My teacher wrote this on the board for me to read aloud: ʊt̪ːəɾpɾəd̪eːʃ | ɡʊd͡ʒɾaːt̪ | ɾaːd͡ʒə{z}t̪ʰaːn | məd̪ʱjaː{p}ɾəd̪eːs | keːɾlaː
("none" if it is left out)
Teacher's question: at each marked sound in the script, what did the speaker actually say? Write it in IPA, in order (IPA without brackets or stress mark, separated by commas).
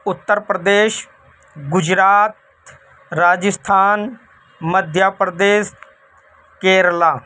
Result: s, p